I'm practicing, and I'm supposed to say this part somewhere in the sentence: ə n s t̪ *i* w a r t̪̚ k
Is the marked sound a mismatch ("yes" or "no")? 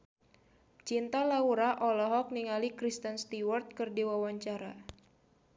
no